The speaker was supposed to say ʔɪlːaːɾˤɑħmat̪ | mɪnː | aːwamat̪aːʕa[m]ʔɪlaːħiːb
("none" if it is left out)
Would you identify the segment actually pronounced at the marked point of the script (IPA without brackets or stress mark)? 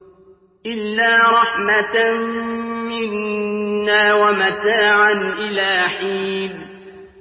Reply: n